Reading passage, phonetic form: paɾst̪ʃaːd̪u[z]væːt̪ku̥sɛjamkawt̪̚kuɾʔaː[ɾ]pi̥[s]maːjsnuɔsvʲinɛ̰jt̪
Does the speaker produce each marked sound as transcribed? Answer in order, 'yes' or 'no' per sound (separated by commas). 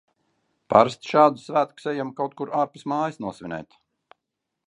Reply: no, yes, yes